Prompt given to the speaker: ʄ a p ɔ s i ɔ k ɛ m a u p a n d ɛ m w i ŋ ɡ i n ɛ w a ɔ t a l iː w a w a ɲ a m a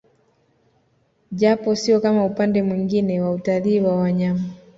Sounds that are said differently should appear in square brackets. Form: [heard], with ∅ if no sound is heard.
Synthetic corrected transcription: ʄ a p ɔ s i ɔ k [a] m a u p a n d ɛ m w i ŋ ɡ i n ɛ w a [u] t a l iː w a w a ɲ a m a